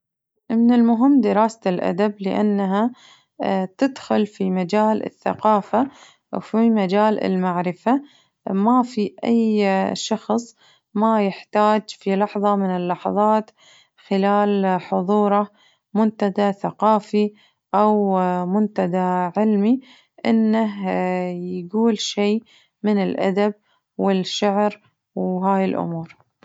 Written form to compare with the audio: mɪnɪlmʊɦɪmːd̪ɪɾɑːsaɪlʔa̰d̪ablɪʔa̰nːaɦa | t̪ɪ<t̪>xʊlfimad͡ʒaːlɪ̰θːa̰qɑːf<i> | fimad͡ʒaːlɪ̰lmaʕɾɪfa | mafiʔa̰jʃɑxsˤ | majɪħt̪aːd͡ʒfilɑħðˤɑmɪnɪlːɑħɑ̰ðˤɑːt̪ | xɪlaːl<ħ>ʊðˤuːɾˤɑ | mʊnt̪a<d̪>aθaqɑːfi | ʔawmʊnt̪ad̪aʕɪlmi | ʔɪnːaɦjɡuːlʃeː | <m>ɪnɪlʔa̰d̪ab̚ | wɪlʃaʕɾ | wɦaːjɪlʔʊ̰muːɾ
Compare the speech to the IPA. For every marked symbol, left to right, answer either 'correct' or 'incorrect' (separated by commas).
incorrect, incorrect, correct, correct, correct